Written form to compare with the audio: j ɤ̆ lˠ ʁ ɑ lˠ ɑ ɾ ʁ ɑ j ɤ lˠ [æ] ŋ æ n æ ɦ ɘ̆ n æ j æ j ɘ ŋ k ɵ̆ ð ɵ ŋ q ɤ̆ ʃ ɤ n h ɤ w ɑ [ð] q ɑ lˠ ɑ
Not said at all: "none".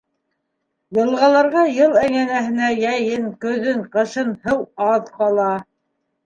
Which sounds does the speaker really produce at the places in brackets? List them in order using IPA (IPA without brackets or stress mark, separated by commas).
æ, ð